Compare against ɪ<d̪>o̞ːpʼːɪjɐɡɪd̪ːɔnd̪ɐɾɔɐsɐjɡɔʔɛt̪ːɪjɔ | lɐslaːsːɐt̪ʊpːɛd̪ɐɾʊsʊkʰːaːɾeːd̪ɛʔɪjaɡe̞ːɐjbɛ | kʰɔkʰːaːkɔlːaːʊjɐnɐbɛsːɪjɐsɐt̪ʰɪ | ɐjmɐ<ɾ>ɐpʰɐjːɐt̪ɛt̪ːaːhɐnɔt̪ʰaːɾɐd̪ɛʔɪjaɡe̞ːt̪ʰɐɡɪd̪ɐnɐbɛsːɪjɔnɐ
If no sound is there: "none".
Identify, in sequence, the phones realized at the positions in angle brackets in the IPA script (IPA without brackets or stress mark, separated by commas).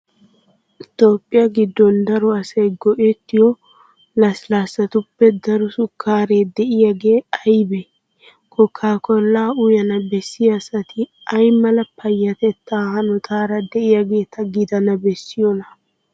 t̪, l